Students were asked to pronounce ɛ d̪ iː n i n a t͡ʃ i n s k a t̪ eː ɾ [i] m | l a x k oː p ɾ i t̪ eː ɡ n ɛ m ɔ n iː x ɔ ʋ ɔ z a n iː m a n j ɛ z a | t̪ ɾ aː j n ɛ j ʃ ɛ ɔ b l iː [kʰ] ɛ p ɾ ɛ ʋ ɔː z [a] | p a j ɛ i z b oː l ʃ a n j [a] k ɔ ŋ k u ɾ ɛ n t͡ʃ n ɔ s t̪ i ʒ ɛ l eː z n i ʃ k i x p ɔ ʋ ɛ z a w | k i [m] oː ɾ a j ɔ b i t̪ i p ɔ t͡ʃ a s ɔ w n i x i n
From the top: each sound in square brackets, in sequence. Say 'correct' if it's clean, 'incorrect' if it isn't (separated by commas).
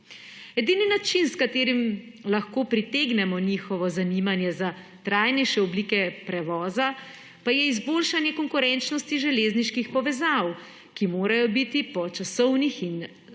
correct, incorrect, correct, incorrect, correct